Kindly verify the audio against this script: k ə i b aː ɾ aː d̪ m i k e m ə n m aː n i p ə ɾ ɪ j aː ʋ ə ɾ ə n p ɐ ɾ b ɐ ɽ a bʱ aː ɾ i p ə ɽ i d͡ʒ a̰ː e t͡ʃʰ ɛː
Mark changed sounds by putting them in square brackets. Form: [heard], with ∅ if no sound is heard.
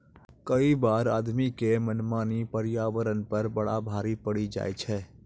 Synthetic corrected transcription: k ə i b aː ɾ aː d̪ m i k e m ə n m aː n i p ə ɾ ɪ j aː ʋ ə ɾ ə n p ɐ ɾ b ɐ ɽ a bʱ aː ɾ i p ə ɽ i d͡ʒ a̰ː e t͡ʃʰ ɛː